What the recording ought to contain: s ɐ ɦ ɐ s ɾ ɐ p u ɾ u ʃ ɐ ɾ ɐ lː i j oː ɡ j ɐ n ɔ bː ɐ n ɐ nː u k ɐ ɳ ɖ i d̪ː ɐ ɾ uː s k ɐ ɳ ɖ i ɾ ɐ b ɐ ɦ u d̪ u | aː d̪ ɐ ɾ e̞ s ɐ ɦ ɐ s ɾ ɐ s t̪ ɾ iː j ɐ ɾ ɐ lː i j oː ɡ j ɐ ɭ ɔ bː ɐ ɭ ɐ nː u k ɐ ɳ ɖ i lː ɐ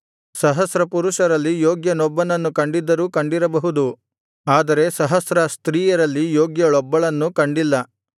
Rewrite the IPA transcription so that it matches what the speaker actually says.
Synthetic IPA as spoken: s ɐ ɦ ɐ s ɾ ɐ p u ɾ u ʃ ɐ ɾ ɐ lː i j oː ɡ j ɐ n ɔ bː ɐ n ɐ nː u k ɐ ɳ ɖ i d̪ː ɐ ɾ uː k ɐ ɳ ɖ i ɾ ɐ b ɐ ɦ u d̪ u | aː d̪ ɐ ɾ e̞ s ɐ ɦ ɐ s ɾ ɐ s t̪ ɾ iː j ɐ ɾ ɐ lː i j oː ɡ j ɐ ɭ ɔ bː ɐ ɭ ɐ nː u k ɐ ɳ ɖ i lː ɐ